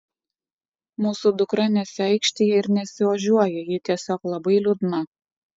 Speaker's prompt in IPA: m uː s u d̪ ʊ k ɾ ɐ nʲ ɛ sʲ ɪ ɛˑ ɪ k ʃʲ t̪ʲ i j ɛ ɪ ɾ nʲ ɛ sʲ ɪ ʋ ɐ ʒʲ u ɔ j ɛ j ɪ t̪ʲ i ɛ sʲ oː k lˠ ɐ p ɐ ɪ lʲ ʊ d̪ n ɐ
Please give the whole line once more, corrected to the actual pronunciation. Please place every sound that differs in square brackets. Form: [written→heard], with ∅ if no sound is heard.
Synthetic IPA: m uː s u d̪ ʊ k ɾ ɐ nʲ ɛ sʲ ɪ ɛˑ ɪ k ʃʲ t̪ʲ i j ɛ ɪ ɾ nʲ ɛ sʲ ɪ ʋ ɐ ʒʲ u ɔ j ɛ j ɪ t̪ʲ i ɛ sʲ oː k lˠ ɐ [p→b] ɐ ɪ lʲ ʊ d̪ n ɐ